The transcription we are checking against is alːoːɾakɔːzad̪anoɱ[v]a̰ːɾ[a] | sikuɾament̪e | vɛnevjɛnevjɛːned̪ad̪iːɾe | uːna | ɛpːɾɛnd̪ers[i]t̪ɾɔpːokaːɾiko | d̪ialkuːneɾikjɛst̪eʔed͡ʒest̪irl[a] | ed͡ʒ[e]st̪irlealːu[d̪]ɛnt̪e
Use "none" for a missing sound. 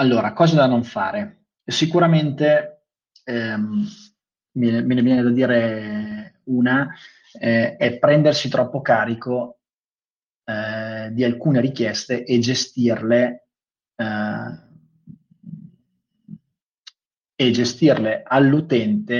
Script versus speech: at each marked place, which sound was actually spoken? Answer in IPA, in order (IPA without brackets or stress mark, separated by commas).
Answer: f, e, i, e, e, t̪